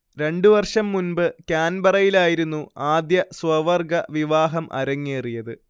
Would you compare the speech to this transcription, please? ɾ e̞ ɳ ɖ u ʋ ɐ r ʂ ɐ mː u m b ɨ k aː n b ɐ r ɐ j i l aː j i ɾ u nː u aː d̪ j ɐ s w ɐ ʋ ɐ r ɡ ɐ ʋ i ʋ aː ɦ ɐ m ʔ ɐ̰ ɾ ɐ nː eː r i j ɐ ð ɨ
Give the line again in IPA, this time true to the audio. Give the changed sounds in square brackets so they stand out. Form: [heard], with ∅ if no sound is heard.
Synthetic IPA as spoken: ɾ e̞ ɳ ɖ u ʋ ɐ r ʂ ɐ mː u [n] b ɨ k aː n b ɐ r ɐ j i l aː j i ɾ u nː u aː d̪ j ɐ s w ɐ ʋ ɐ r ɡ ɐ ʋ i ʋ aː ɦ ɐ m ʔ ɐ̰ ɾ ɐ [ŋː] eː r i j ɐ ð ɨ